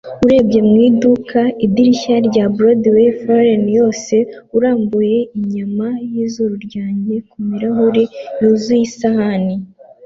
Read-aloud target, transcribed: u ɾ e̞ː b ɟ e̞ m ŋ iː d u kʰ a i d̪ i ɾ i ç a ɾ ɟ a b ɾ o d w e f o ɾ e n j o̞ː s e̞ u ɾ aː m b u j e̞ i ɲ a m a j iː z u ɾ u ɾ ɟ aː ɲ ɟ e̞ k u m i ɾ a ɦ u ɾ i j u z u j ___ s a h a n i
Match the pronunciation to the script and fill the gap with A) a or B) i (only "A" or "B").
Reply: B